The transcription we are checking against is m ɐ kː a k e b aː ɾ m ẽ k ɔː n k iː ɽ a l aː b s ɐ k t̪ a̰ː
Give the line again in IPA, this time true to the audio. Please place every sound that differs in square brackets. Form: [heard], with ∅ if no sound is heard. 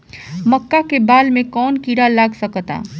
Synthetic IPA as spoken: m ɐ kː a k e b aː [l] m ẽ k ɔː n k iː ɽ a l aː [ɡ] s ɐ k t̪ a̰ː